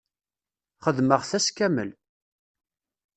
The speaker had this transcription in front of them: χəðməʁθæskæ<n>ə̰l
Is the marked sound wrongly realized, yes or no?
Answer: yes